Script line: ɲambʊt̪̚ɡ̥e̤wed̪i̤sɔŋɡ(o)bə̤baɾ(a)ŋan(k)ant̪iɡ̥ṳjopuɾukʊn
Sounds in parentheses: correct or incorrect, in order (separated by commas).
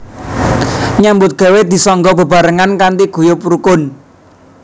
incorrect, incorrect, correct